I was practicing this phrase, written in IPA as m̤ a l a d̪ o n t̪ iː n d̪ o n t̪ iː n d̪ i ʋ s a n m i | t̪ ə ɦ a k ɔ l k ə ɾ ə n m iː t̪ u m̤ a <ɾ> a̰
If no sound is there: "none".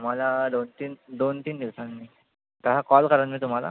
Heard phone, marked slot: l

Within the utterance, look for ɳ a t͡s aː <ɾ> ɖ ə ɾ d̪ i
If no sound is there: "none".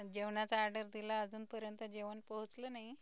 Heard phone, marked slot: ɾ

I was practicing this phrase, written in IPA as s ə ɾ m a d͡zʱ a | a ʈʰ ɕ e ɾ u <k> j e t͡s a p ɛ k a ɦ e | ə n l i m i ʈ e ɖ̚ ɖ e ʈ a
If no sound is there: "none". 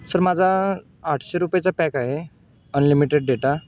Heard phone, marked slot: p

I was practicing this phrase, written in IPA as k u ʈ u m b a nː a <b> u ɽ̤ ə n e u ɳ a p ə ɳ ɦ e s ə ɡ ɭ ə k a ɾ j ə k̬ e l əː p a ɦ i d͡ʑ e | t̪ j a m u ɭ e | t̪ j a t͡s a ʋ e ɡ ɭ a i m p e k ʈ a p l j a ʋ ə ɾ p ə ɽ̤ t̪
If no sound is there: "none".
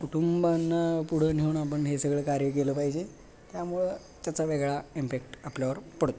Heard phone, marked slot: p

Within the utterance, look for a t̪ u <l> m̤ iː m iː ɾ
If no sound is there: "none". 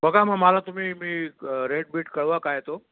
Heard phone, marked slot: none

